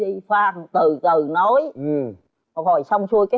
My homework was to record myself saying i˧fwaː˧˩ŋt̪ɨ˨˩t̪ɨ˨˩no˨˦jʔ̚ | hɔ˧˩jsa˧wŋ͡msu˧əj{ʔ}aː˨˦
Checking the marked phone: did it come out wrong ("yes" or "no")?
yes